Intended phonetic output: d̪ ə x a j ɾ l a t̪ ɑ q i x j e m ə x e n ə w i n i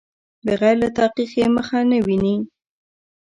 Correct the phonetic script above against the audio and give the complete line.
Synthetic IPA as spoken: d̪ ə ɣ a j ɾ l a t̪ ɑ q i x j e m ə x a n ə w i n i